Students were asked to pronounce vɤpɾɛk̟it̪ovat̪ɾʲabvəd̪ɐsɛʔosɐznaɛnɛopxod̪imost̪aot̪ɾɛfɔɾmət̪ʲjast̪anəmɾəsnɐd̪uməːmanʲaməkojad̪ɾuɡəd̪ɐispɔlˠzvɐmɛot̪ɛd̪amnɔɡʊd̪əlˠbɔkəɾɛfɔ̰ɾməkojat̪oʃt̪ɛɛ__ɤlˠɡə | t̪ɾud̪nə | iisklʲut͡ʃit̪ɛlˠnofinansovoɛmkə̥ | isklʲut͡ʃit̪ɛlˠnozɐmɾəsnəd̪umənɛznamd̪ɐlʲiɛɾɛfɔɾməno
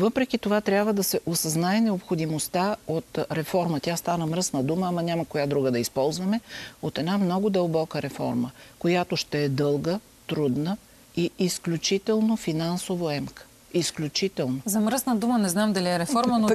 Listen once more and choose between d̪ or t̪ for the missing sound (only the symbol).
d̪